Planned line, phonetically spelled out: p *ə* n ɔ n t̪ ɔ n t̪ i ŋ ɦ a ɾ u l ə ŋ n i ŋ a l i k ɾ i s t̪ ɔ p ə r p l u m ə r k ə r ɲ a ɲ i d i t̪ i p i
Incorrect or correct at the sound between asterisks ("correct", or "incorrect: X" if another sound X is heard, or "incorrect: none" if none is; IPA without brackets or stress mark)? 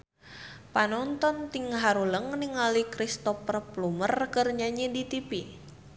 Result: incorrect: a